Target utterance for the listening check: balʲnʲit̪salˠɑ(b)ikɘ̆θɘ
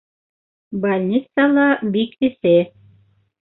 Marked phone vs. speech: correct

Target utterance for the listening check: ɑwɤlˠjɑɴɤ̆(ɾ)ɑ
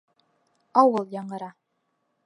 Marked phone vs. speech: correct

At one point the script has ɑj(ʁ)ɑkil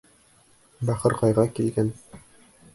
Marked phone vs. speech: correct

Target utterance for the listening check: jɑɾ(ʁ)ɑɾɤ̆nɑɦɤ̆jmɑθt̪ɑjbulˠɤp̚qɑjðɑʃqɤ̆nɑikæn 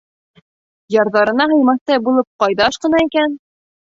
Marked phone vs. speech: incorrect: ð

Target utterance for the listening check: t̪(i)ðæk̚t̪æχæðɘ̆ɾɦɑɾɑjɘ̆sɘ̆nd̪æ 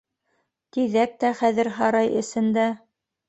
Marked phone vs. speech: correct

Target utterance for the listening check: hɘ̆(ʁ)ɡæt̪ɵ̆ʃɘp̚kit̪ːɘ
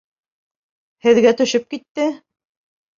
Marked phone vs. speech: incorrect: ð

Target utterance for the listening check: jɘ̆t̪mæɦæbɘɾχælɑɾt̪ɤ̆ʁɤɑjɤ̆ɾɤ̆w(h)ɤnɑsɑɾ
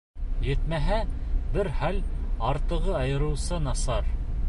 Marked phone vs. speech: incorrect: s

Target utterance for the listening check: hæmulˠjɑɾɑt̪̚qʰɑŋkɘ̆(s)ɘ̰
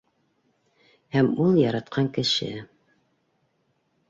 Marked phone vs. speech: incorrect: ʃ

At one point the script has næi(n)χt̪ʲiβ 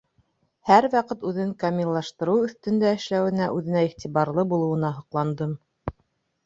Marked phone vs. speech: incorrect: none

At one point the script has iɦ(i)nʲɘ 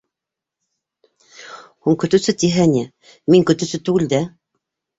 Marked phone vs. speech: incorrect: æ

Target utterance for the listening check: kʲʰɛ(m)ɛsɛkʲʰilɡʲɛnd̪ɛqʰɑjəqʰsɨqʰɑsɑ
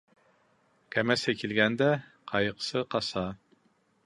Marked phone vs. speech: correct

